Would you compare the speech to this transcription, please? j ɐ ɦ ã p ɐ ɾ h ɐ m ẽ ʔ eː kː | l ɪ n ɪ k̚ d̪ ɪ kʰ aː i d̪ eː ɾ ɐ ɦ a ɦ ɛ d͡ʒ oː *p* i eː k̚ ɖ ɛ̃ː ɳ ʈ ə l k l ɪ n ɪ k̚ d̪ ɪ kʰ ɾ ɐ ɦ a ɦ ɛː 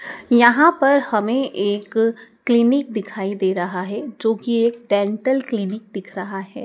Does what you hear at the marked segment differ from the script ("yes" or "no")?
yes